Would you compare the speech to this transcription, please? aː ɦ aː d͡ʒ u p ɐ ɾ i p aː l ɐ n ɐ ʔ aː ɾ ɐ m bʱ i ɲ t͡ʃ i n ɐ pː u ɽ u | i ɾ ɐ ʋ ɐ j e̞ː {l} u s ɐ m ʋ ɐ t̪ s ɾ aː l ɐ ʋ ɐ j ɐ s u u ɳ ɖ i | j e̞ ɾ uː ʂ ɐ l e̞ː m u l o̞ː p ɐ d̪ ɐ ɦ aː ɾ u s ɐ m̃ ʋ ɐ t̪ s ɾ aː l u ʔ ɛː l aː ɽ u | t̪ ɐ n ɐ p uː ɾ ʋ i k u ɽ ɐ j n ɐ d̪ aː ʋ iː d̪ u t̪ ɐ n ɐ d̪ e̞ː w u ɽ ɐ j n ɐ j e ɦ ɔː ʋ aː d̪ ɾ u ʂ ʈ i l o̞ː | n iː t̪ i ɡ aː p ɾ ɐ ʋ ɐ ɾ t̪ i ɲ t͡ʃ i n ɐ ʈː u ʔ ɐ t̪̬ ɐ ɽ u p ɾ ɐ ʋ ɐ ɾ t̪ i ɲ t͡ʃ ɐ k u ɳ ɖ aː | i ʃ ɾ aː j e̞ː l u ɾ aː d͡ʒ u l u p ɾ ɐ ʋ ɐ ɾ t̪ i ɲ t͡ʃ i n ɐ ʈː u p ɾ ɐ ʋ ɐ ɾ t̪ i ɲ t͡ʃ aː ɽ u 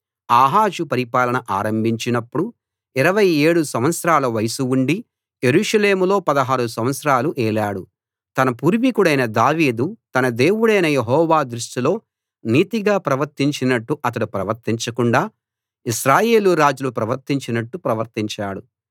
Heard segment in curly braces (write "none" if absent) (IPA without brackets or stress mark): ɽ